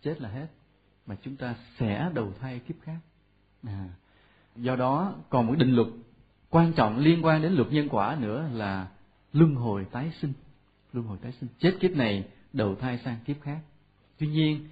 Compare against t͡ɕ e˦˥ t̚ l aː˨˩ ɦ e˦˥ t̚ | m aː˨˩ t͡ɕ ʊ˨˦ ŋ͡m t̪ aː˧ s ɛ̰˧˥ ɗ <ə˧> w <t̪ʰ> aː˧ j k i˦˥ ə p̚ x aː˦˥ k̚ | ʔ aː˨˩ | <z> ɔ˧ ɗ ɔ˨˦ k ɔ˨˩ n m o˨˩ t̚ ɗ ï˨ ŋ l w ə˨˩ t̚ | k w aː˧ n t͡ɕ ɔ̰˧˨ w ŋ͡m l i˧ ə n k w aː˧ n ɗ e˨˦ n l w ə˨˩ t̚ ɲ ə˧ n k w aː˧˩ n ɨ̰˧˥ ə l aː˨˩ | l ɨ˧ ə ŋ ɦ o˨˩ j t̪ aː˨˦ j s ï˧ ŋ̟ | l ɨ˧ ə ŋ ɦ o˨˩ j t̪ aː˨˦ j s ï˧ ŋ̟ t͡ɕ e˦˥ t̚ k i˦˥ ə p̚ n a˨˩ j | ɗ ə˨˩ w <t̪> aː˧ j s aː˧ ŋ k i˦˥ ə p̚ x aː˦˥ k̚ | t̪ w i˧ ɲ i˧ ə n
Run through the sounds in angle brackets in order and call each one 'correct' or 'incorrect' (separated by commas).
incorrect, correct, correct, incorrect